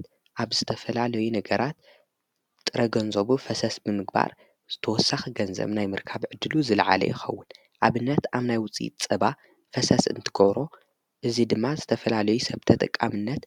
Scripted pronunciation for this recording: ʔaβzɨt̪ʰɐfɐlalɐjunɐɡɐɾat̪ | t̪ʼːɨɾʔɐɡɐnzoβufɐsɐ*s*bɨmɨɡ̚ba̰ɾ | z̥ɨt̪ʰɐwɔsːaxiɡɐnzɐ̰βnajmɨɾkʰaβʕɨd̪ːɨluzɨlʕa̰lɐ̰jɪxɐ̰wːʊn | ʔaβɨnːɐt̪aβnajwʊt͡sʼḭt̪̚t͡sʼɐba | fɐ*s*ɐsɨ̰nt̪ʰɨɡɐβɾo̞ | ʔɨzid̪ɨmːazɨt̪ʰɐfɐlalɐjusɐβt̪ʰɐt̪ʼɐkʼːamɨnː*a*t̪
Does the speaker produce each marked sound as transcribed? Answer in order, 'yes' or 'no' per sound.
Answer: yes, yes, no

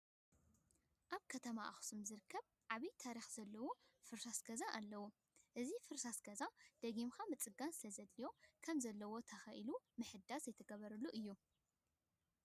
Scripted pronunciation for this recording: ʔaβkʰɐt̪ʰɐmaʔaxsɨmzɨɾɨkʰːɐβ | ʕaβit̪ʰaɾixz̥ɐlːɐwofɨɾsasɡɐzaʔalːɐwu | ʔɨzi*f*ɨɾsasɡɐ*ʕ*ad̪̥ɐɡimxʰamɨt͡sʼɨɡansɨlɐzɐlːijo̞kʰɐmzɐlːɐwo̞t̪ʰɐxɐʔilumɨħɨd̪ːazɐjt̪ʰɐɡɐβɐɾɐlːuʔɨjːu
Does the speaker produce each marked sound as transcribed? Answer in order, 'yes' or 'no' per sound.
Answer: yes, no

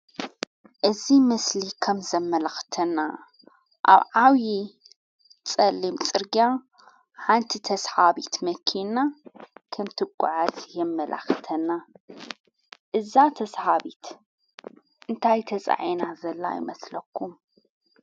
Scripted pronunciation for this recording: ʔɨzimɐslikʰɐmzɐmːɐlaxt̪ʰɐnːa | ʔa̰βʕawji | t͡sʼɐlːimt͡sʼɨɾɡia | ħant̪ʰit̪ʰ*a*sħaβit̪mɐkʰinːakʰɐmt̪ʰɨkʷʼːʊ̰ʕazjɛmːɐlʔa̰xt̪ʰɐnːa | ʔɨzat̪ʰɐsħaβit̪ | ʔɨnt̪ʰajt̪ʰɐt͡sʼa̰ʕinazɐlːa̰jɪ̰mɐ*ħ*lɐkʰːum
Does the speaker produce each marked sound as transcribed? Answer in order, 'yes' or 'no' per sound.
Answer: no, no

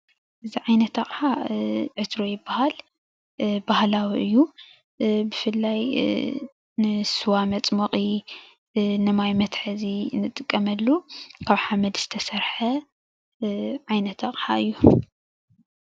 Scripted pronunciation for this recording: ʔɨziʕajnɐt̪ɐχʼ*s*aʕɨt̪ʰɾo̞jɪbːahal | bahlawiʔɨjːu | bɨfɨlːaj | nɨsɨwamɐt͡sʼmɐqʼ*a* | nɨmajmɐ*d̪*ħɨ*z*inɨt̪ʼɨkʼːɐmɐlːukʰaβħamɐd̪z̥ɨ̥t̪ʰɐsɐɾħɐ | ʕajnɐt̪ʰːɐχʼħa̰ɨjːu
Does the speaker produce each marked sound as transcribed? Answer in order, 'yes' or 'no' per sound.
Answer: no, no, no, yes

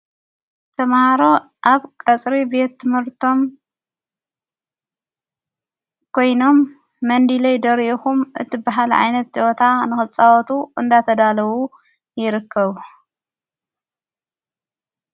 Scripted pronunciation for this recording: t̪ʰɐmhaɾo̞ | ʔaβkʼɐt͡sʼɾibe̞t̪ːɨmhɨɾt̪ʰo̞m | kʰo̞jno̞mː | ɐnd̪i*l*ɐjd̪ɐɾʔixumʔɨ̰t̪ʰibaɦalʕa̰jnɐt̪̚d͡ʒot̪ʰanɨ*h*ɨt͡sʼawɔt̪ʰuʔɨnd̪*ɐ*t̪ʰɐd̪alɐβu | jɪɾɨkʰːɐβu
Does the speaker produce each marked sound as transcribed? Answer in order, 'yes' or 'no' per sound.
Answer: yes, no, no

